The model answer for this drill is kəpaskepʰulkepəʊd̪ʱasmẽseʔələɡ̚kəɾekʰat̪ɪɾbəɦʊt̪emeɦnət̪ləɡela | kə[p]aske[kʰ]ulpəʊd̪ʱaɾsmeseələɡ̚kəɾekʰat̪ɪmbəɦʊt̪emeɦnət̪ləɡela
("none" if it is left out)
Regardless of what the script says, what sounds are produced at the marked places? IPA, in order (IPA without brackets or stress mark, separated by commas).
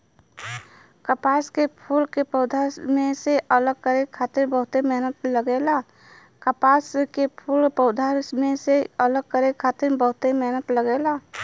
p, pʰ